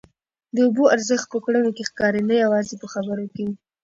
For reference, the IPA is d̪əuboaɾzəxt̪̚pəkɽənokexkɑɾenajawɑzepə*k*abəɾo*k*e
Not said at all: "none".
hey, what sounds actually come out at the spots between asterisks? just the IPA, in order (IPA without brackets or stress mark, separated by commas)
x, k